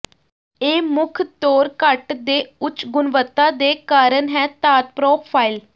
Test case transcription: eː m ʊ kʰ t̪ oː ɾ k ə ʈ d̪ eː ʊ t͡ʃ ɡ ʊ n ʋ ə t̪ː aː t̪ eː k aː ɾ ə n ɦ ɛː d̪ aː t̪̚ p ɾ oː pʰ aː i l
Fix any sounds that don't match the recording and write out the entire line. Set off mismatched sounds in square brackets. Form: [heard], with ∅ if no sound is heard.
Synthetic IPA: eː m ʊ kʰ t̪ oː ɾ k ə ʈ d̪ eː ʊ t͡ʃ ɡ ʊ n ʋ ə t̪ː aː [d̪] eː k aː ɾ ə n ɦ ɛː [t̪] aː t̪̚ p ɾ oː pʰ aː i l